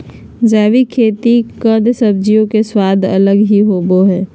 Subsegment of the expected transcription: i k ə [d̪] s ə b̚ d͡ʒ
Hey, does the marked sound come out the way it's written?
yes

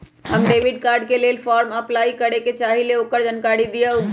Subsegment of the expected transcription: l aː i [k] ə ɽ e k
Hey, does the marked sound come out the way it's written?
yes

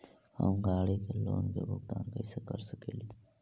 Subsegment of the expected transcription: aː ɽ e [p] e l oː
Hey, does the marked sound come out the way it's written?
no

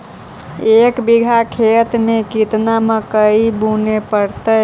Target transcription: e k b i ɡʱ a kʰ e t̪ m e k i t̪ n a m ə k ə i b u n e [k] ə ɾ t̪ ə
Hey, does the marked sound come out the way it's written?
no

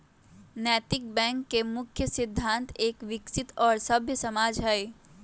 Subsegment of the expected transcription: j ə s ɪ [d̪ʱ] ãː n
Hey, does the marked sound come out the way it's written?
no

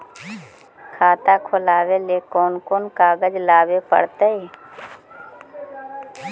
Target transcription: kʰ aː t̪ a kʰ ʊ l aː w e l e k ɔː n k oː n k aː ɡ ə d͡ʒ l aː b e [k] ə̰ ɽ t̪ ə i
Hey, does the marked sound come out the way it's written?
no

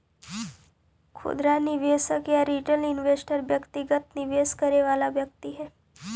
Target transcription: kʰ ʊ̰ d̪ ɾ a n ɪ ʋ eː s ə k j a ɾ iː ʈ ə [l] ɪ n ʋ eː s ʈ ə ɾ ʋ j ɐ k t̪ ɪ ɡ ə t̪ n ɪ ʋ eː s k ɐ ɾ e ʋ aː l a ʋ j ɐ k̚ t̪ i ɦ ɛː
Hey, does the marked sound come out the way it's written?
yes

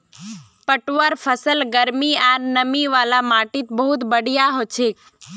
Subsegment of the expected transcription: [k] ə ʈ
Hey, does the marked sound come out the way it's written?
no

